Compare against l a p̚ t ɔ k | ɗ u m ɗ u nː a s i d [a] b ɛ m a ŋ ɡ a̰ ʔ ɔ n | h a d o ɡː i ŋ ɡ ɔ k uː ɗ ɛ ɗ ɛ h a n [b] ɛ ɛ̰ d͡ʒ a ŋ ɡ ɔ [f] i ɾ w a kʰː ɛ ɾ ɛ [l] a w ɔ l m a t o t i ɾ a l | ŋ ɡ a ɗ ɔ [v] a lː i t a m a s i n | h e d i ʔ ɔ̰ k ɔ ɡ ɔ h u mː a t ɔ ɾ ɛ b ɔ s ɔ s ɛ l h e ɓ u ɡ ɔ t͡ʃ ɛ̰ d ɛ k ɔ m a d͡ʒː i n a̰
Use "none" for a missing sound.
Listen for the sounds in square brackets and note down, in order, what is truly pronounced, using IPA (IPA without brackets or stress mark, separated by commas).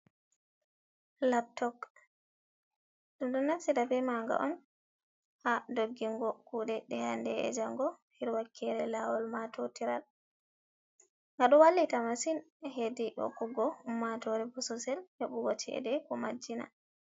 a, d, h, l, w